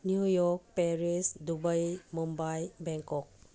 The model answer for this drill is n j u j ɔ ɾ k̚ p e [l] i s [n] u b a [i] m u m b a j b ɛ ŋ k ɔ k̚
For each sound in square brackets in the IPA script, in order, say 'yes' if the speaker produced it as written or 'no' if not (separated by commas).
no, no, no